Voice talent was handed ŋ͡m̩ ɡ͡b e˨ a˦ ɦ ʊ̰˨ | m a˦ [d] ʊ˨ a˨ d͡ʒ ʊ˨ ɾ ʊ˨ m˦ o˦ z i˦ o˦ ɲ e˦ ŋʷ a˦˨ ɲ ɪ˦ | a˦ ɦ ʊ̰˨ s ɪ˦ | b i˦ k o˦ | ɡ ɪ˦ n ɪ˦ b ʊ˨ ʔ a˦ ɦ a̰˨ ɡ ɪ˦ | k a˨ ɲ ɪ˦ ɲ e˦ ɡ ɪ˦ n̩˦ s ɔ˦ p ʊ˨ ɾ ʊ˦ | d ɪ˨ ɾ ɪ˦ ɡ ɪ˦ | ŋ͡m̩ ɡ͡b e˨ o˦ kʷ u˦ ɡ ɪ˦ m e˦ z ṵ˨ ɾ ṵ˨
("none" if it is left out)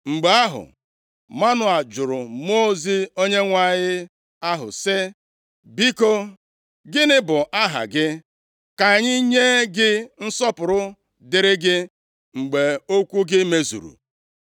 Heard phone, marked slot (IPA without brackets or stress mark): n